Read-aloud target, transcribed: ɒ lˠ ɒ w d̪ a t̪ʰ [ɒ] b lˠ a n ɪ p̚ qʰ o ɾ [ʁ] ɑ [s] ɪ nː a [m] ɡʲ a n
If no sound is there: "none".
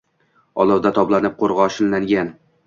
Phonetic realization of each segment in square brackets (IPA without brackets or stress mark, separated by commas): ɒ, ʁ, ʃ, ŋ